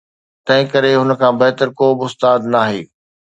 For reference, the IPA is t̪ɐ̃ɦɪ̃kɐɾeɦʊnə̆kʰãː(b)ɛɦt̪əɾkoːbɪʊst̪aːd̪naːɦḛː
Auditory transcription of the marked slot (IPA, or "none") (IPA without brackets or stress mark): b